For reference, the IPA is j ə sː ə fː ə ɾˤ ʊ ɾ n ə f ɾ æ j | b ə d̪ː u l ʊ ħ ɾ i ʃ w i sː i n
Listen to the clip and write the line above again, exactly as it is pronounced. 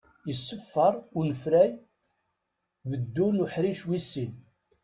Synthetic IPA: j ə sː ə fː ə ɾˤ ʊ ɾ n ə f ɾ æ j | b ə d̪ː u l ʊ ħ ɾ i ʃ w i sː i n